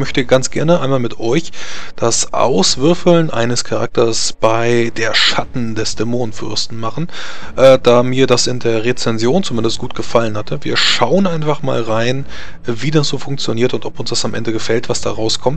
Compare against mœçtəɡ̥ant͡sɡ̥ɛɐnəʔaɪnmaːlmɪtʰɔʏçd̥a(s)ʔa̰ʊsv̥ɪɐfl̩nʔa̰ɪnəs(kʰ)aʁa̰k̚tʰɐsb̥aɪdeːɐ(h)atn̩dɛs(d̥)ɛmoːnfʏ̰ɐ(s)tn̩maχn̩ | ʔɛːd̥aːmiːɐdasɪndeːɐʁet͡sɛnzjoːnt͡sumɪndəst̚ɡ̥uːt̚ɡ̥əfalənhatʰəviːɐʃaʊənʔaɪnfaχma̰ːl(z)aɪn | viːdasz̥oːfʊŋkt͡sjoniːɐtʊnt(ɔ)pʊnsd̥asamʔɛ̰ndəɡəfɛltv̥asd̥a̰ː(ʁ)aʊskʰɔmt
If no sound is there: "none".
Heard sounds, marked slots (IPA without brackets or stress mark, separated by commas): s, kʰ, ʃ, d̥, s, ʁ, ɔ, ʁ